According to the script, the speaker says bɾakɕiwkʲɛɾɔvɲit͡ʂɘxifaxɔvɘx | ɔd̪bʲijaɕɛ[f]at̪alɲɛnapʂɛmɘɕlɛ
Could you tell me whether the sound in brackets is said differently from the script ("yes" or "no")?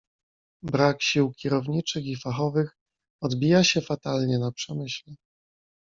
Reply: no